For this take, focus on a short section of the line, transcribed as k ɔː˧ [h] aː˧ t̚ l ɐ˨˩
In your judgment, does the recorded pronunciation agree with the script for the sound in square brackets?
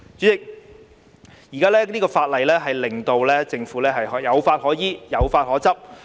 no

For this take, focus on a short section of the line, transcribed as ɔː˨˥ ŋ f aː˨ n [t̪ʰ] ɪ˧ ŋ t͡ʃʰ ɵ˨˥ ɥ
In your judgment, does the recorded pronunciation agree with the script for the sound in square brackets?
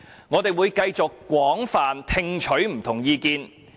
yes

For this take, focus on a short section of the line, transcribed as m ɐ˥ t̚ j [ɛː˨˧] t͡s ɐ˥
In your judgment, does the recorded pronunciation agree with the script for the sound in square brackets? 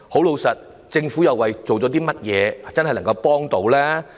yes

